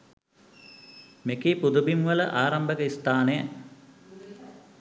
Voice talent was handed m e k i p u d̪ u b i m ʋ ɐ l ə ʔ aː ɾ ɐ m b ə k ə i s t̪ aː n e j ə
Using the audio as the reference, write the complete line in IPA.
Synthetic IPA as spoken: m e k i p u d̪ u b i m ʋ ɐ l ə ʔ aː ɾ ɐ m b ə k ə i s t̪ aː n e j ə